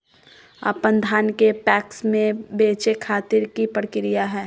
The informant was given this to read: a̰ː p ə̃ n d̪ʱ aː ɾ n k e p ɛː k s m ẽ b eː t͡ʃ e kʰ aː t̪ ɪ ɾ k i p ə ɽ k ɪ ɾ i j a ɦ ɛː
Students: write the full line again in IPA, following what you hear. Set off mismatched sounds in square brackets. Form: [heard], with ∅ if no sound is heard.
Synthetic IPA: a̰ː p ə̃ n d̪ʱ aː [∅] n k e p ɛː k s m ẽ b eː t͡ʃ e kʰ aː t̪ ɪ ɾ k i p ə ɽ k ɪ ɾ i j a ɦ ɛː